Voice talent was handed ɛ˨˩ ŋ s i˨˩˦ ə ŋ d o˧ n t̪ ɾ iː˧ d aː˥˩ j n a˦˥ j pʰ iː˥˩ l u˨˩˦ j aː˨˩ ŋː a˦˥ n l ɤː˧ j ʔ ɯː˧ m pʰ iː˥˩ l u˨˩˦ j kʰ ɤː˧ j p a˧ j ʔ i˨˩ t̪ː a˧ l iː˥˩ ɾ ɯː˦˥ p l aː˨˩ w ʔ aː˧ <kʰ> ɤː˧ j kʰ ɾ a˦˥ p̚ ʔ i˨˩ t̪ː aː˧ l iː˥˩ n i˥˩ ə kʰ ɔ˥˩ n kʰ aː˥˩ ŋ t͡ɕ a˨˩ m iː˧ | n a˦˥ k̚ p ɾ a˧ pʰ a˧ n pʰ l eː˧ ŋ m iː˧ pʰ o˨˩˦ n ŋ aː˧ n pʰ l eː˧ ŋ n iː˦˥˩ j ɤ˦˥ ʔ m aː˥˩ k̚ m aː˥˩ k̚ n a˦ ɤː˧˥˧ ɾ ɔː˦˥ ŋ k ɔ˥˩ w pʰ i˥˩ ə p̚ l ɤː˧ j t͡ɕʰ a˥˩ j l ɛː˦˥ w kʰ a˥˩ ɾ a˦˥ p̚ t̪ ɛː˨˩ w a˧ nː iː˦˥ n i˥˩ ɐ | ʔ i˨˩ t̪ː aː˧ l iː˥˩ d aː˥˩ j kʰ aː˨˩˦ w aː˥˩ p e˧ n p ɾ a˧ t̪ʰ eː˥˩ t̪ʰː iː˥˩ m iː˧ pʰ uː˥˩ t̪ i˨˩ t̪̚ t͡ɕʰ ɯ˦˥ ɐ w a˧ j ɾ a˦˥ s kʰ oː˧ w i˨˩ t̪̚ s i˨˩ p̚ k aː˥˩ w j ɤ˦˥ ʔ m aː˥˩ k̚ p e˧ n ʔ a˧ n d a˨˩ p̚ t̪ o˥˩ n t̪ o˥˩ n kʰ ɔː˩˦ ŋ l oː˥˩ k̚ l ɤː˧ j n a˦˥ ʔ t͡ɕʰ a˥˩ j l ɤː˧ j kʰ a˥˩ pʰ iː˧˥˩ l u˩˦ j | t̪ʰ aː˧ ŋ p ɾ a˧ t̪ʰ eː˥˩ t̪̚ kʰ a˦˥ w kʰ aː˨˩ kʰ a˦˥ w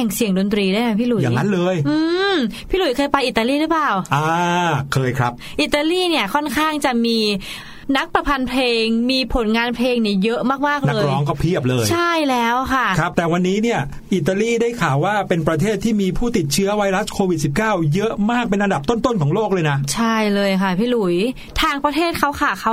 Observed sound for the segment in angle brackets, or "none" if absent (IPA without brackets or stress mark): kʰ